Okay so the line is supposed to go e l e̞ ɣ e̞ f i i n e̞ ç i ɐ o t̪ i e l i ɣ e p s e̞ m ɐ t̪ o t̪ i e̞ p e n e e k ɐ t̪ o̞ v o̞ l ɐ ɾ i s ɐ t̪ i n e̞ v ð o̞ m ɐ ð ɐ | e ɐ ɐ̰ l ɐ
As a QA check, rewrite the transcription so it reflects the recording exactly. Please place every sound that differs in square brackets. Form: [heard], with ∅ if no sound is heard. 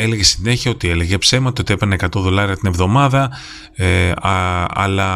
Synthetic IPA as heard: e l e̞ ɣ e̞ [s] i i n e̞ ç i ɐ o t̪ i e l [e] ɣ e p s e̞ m ɐ t̪ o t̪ i e̞ p e n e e k ɐ t̪ o̞ [ð] o̞ l ɐ ɾ i [∅] ɐ t̪ i n e̞ v ð o̞ m ɐ ð ɐ | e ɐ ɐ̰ l ɐ